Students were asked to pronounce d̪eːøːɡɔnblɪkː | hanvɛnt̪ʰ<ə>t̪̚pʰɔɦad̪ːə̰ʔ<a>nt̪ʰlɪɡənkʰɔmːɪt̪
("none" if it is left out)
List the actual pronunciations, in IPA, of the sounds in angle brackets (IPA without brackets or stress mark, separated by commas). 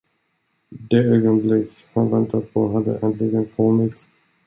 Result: a, ɛ